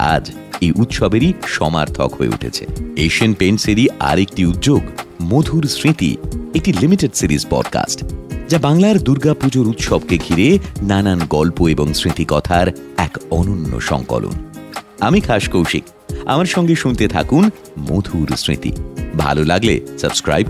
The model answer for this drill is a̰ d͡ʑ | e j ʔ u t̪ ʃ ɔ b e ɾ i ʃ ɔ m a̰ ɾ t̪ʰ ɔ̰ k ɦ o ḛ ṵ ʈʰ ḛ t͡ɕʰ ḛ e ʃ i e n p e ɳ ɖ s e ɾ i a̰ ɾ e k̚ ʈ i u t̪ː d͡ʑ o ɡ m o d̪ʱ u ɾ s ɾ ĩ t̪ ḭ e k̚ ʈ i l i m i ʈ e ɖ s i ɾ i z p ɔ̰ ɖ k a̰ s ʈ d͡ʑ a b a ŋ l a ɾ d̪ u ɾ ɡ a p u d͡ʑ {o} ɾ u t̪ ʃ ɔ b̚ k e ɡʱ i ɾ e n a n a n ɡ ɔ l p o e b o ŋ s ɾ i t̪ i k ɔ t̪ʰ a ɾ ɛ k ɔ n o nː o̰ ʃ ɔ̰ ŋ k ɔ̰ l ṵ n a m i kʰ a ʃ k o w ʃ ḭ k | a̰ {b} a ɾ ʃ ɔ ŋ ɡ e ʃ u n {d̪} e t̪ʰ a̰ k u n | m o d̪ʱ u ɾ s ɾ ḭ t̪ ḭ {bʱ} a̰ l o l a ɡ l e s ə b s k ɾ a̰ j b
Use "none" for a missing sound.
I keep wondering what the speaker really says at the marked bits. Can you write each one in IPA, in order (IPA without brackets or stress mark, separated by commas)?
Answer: o, m, t̪, bʱ